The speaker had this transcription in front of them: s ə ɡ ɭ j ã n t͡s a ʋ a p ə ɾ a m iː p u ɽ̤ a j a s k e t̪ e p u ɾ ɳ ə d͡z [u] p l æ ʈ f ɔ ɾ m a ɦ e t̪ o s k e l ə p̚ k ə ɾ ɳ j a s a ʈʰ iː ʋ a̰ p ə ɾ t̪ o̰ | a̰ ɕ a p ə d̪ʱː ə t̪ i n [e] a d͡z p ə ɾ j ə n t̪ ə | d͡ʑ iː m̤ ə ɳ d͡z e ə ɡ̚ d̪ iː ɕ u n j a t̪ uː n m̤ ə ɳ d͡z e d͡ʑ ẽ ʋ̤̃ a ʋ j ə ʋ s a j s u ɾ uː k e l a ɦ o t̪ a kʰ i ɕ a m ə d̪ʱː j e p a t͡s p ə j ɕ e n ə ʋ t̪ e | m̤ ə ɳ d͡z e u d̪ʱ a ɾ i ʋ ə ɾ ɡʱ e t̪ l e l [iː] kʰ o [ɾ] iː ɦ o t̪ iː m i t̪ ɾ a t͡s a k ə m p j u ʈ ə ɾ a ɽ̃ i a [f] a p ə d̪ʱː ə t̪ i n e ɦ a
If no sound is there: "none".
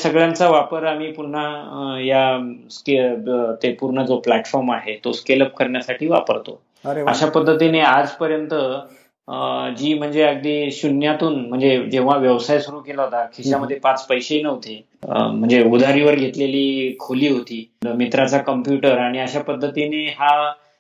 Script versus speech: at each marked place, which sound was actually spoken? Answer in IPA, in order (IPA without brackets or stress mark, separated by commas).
o, e, iː, l, ɕ